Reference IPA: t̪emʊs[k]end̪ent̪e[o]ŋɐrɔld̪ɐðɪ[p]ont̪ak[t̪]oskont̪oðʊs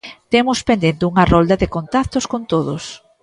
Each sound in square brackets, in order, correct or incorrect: incorrect: p, incorrect: u, incorrect: k, correct

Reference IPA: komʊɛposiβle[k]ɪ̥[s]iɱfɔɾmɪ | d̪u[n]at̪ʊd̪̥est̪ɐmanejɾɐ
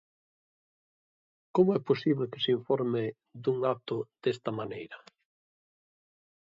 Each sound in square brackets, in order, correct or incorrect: correct, correct, incorrect: ŋ

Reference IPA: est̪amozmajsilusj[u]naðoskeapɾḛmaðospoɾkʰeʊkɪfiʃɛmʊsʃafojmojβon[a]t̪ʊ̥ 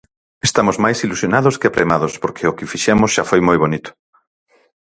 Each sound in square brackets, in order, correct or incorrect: incorrect: o, incorrect: i

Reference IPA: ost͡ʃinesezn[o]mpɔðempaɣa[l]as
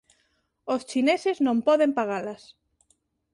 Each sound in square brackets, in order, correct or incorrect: incorrect: õ, correct

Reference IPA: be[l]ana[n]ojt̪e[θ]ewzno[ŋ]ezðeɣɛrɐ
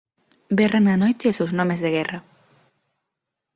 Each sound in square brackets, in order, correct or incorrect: incorrect: r, correct, incorrect: s, incorrect: m

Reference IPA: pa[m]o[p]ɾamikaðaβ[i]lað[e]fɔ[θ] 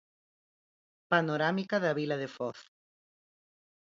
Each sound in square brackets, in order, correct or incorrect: incorrect: n, incorrect: none, correct, correct, correct

